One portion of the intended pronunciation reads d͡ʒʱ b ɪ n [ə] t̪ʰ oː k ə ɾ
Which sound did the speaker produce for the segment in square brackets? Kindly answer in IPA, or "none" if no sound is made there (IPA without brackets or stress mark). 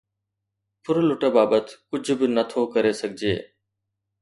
ə